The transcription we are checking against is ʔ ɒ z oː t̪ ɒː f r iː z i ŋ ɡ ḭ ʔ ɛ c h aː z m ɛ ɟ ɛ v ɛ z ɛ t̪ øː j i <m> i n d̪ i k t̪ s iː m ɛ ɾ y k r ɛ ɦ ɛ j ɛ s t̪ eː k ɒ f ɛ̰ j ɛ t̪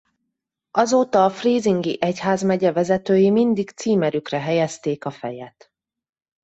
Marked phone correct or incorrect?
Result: correct